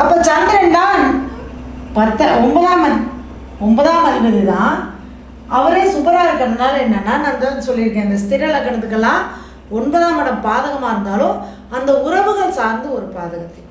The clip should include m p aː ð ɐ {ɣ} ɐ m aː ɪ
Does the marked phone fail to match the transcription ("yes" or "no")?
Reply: no